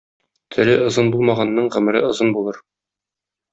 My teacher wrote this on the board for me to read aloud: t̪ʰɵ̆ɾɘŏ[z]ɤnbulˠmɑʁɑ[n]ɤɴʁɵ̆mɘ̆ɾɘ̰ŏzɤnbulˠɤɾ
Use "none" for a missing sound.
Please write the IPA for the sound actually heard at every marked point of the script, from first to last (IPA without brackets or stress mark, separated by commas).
z, nː